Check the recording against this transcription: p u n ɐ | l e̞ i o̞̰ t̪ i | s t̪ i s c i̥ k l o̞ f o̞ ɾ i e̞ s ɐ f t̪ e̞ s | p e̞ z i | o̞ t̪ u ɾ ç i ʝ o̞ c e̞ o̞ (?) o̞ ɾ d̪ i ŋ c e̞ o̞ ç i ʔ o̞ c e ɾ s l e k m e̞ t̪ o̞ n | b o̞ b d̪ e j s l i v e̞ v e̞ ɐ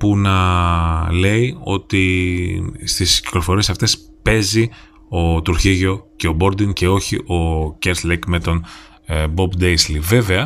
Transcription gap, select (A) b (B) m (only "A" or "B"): A